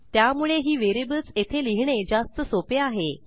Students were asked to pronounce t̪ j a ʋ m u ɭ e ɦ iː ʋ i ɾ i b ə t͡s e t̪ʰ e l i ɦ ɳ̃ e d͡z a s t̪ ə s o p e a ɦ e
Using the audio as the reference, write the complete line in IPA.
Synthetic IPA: t̪ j a m u ɭ e ɦ iː ʋ e ɾ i b ə t͡s e t̪ʰ e l i ɦ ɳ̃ e d͡z a s t̪ ə s o p e a ɦ e